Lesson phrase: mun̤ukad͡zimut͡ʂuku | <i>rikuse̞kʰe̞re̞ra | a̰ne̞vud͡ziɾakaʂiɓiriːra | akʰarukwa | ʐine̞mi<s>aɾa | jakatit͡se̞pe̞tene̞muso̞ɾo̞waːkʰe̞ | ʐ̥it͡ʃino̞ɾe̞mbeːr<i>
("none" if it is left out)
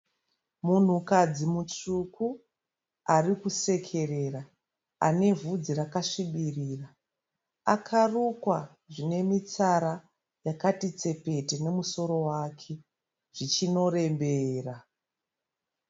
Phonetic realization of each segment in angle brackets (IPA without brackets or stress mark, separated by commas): a, t͡s, a